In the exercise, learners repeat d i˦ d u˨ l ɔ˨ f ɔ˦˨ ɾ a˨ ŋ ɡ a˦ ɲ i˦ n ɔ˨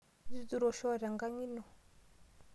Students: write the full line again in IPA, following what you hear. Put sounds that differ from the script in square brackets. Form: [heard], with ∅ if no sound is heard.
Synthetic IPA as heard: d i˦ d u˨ [ɾ] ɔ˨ [ʃ] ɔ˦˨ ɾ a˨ ŋ ɡ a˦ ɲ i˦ n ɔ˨